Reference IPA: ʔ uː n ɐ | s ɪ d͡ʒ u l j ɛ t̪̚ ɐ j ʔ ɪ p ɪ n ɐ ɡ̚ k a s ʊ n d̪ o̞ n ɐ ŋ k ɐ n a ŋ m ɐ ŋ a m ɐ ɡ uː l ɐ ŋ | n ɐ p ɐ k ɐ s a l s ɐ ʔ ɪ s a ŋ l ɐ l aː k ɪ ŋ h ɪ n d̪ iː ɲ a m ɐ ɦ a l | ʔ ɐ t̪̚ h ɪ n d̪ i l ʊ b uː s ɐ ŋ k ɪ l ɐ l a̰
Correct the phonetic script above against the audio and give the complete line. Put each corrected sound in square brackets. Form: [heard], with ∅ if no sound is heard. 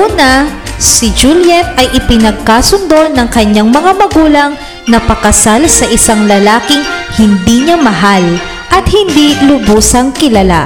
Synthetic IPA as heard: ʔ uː n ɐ | s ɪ d͡ʒ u l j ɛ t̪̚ ɐ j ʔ ɪ p ɪ n ɐ ɡ̚ k a s ʊ n d̪ o̞ n ɐ ŋ k ɐ [ɲ] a ŋ m ɐ ŋ a m ɐ ɡ uː l ɐ ŋ | n ɐ p ɐ k ɐ s a l s ɐ ʔ ɪ s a ŋ l ɐ l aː k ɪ ŋ h ɪ n d̪ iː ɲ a m ɐ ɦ a l | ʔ ɐ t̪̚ h ɪ n d̪ i l ʊ b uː s ɐ ŋ k ɪ l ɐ l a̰